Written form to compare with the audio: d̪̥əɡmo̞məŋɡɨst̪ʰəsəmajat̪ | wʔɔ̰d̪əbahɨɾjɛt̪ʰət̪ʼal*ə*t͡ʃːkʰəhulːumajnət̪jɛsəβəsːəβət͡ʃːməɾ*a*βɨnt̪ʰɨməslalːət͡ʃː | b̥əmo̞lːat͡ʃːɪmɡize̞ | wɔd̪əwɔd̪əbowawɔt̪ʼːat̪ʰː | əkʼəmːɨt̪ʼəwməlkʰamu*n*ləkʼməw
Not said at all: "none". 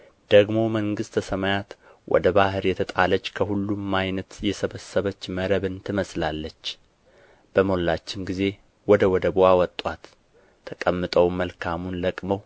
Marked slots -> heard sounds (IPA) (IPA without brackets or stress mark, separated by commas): ə, ə, n